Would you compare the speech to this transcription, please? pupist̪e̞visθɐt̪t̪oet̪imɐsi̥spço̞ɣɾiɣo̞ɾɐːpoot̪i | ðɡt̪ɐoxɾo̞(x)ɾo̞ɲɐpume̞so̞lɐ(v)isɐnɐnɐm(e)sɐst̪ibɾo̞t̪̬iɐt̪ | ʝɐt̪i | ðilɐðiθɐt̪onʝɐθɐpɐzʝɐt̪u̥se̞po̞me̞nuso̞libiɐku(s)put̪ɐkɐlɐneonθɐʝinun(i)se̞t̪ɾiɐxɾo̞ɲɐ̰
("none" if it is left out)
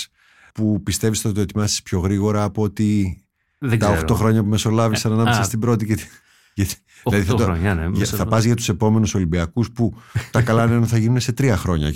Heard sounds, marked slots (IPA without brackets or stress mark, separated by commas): x, v, e, s, e